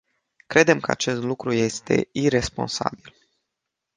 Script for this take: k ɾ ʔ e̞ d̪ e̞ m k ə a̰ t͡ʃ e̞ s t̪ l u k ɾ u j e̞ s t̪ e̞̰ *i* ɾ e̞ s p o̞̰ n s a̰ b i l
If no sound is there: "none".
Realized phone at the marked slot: i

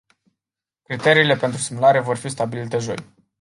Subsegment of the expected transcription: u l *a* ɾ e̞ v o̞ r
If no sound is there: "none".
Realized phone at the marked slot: a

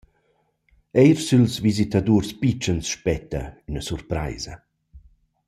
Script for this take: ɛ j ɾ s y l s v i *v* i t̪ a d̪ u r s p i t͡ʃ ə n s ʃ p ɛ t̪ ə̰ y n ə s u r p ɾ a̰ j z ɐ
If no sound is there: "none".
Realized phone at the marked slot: z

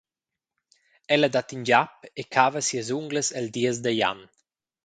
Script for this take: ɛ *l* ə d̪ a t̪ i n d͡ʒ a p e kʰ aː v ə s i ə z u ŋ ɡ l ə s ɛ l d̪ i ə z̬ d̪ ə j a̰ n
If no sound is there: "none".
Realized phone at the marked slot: l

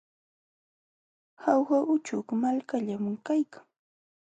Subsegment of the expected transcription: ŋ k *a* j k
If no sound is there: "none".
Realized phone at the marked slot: a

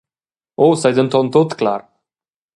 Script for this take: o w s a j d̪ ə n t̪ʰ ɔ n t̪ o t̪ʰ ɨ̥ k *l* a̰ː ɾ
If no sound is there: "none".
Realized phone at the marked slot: l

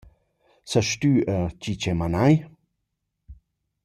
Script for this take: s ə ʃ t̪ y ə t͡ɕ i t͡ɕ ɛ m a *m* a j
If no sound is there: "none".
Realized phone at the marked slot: n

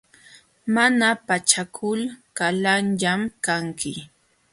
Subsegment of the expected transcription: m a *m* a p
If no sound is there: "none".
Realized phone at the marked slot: n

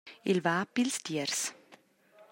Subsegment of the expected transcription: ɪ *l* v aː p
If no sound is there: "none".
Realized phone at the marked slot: l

